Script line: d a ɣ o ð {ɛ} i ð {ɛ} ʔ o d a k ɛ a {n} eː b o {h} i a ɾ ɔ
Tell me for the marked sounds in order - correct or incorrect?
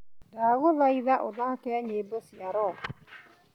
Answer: incorrect, incorrect, incorrect, incorrect

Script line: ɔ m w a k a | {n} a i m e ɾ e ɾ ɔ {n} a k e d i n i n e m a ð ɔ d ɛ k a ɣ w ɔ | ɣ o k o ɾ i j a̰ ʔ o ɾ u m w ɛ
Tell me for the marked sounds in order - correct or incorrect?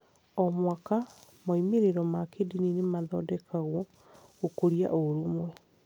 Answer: incorrect, incorrect

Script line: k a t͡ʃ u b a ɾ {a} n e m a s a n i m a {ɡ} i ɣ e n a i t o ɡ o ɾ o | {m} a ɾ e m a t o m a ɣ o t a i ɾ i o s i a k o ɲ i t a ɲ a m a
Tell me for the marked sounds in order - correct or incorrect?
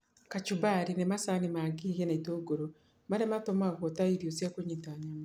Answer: incorrect, correct, correct

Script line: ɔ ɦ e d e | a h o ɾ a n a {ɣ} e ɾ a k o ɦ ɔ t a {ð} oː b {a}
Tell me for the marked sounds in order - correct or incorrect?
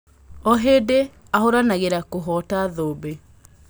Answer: correct, correct, incorrect

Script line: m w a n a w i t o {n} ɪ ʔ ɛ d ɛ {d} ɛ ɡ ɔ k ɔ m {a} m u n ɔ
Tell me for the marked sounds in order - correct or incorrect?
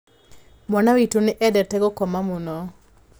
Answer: correct, incorrect, correct

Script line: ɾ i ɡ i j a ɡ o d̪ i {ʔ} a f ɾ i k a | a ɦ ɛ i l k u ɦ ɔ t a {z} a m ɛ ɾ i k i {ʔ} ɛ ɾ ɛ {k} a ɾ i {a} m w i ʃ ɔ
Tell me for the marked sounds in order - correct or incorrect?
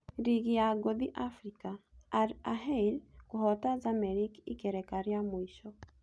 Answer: correct, correct, incorrect, correct, correct

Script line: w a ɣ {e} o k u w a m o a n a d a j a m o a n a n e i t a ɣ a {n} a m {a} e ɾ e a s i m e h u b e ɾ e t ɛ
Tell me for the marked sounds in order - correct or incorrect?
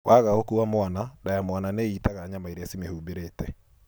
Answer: incorrect, incorrect, correct

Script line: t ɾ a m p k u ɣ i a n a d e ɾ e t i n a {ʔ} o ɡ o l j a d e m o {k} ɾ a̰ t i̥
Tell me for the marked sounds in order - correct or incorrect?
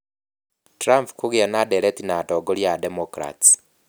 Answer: incorrect, correct

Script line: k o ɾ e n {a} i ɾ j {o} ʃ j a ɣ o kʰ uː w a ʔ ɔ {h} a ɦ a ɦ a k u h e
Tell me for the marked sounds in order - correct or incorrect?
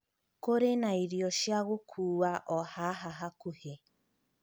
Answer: correct, incorrect, correct

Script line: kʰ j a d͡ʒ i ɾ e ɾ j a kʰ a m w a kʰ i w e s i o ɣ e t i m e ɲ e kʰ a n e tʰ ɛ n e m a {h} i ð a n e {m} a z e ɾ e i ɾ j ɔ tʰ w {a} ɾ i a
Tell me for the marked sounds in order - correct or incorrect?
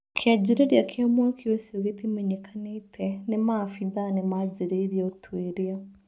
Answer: incorrect, correct, incorrect

